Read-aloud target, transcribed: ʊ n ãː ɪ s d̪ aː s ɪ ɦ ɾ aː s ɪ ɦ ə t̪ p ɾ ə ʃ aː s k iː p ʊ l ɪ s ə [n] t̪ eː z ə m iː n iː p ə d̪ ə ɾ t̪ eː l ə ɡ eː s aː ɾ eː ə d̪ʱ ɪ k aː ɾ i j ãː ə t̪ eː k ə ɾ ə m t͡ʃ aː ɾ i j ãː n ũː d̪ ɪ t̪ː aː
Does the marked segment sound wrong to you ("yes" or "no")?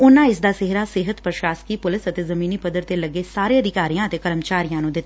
yes